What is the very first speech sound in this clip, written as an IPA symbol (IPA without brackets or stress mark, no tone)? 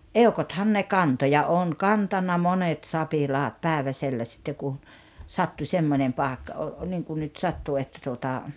e